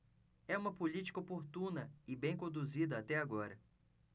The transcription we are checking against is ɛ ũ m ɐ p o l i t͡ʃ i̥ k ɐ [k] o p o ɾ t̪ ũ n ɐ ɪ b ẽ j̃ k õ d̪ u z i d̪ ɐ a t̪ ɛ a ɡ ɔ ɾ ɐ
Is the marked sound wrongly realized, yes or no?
yes